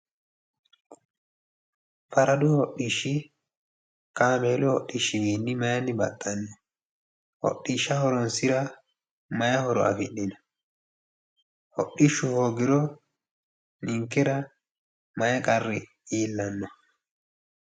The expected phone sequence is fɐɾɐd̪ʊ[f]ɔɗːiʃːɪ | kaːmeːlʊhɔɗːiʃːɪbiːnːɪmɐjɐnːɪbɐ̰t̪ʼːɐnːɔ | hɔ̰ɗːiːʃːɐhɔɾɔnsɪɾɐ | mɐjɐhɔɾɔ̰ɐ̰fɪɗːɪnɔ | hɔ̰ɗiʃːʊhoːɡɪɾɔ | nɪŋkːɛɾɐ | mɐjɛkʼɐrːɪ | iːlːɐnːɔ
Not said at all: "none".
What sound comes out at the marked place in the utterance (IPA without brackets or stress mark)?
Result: h